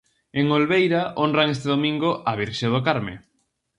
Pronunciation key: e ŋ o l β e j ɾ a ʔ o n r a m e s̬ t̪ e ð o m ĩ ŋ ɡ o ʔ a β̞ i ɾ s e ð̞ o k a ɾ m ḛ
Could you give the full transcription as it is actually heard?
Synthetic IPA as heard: e ŋ o l β e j ɾ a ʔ o n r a ŋ e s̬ t̪ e ð o m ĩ ŋ ɡ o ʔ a β̞ i ɾ ʃ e ð̞ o k a ɾ m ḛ

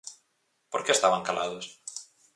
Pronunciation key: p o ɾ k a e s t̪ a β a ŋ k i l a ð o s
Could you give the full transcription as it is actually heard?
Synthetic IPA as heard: p o ɾ k e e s t̪ a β a ŋ k a l a ð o s

